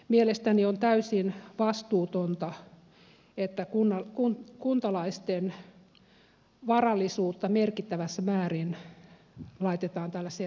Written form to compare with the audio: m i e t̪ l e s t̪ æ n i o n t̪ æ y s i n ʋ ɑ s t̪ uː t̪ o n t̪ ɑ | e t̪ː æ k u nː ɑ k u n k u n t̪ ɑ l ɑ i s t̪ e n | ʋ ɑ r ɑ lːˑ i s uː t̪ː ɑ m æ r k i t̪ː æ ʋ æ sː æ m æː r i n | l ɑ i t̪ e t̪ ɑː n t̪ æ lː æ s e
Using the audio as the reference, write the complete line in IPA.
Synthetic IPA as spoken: m i e l e s t̪ æ n i o n t̪ æ y s i n ʋ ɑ s t̪ uː t̪ o n t̪ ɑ | e t̪ː æ k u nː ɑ k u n k u n t̪ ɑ l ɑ i s t̪ e n | ʋ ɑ r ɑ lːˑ i s uː t̪ː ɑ m e r k i t̪ː æ ʋ æ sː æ m æː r i n | l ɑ i t̪ e t̪ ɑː n t̪ æ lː æ s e